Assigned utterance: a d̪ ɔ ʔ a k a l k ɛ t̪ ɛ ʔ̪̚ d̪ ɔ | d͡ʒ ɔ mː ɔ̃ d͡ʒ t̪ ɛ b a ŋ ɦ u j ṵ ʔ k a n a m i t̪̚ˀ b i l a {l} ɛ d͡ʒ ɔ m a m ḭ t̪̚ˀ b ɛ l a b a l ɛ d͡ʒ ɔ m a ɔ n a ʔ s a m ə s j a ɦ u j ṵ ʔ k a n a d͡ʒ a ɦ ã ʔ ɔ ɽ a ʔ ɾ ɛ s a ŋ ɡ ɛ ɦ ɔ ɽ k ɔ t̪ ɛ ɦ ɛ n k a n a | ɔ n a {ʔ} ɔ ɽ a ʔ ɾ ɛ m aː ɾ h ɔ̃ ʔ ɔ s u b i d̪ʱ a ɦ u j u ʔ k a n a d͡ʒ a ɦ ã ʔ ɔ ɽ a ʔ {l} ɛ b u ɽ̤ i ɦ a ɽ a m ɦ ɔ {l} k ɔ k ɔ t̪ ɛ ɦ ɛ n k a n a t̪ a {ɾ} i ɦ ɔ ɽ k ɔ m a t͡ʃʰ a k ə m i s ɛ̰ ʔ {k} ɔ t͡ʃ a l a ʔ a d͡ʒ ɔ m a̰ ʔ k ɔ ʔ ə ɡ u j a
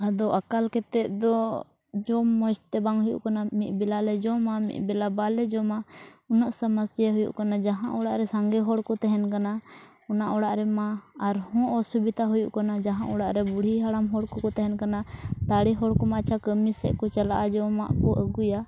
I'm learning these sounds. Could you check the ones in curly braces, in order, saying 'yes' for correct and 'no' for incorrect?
yes, yes, no, no, no, yes

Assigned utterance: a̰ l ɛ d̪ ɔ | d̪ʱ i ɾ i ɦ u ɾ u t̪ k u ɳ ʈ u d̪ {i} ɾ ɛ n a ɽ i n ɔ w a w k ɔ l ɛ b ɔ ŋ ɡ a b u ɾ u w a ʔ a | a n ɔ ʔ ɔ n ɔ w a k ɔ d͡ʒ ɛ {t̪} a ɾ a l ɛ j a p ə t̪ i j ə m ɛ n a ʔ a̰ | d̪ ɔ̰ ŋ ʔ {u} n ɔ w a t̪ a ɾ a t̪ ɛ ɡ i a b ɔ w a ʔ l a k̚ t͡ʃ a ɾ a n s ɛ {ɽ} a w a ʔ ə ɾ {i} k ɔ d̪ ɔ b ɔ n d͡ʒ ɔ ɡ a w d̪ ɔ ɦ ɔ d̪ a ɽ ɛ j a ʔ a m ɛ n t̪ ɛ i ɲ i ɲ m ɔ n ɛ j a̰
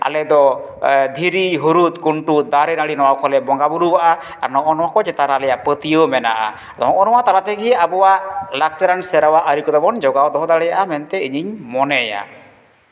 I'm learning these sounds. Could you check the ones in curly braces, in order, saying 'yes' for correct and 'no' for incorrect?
no, yes, no, no, yes

